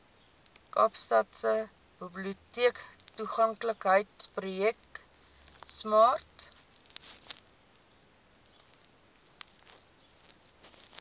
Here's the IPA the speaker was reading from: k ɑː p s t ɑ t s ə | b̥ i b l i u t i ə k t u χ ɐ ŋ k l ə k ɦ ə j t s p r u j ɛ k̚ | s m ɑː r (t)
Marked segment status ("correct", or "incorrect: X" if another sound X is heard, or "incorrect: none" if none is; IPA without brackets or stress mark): correct